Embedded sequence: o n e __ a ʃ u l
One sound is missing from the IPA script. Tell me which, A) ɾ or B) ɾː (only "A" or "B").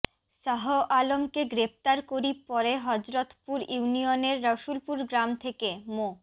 B